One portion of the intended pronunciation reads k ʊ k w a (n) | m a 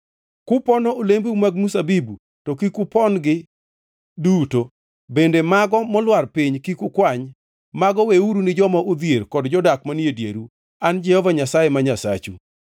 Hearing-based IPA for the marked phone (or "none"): ɲ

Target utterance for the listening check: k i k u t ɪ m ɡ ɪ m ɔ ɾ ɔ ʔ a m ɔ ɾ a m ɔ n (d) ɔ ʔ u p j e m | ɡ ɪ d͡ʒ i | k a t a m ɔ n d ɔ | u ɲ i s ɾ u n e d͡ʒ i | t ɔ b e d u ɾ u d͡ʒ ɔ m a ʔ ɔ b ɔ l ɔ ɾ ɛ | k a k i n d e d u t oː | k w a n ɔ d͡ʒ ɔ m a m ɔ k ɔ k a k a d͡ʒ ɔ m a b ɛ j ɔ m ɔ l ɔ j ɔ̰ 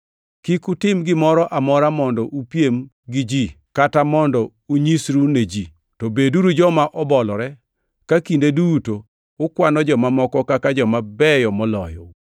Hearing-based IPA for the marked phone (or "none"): d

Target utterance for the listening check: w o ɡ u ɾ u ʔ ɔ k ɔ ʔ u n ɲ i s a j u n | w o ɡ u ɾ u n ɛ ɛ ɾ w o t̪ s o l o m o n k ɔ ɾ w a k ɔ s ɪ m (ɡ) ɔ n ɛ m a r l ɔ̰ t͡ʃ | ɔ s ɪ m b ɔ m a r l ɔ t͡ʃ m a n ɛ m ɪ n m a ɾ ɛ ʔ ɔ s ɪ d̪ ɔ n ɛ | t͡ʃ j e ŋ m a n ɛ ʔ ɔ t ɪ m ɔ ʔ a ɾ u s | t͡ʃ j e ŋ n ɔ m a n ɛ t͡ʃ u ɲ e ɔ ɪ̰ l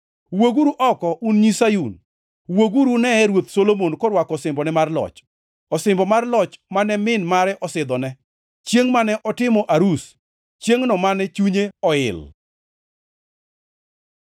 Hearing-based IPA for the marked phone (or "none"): b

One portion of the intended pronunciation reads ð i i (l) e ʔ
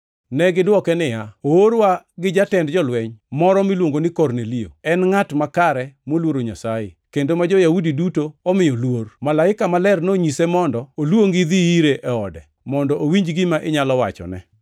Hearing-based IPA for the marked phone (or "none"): ɾ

